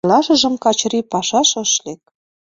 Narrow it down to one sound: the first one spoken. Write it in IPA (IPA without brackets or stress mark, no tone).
l